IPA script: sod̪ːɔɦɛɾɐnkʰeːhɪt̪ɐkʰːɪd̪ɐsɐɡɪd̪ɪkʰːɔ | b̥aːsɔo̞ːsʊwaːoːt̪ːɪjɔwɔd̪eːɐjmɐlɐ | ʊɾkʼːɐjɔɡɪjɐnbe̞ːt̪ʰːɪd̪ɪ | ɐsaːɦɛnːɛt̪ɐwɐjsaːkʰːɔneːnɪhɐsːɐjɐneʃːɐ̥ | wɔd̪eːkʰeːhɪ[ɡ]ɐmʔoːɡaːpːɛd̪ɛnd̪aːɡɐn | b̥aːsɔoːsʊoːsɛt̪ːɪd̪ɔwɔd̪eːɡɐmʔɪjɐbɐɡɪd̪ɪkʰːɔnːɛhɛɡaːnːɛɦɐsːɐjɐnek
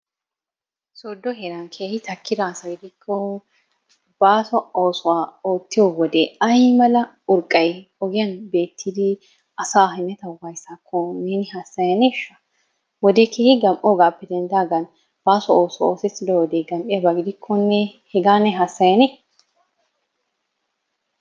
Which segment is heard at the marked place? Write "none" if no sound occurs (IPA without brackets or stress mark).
ɡ